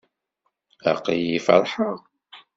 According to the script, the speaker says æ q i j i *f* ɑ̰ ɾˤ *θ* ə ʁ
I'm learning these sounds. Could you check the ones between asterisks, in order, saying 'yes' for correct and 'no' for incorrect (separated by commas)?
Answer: yes, no